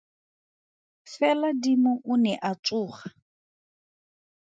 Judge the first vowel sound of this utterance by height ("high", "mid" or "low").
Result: mid